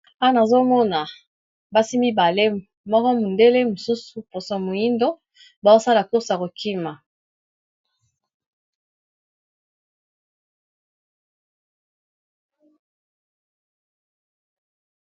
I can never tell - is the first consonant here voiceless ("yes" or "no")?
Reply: no